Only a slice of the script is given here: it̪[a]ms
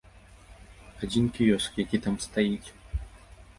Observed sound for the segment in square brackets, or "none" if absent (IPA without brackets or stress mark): a